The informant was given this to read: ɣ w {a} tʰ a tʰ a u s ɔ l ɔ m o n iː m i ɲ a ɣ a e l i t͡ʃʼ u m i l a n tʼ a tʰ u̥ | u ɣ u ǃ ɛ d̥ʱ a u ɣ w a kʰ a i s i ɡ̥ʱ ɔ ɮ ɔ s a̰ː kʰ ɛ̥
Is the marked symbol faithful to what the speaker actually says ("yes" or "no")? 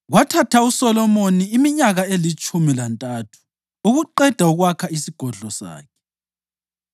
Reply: yes